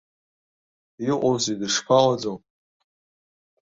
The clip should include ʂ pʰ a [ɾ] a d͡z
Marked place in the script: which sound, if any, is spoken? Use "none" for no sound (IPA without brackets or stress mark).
l